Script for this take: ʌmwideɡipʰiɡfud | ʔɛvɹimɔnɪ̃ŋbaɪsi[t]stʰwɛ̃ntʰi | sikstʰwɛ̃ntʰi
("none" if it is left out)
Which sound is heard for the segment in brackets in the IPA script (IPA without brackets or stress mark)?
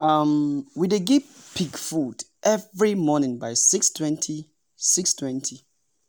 k